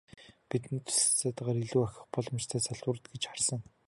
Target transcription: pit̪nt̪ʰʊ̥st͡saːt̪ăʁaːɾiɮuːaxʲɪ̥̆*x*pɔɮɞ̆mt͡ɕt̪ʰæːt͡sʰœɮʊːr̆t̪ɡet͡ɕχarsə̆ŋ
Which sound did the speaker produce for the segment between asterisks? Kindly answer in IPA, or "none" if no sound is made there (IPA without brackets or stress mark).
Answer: χ